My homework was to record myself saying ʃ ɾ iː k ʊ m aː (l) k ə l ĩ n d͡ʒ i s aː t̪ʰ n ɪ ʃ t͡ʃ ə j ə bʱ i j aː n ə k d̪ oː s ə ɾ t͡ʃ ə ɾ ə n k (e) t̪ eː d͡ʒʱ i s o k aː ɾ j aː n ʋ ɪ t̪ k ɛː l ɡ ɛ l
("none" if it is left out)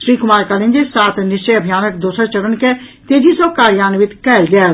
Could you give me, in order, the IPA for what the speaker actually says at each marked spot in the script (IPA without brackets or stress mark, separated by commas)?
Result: ɾ, e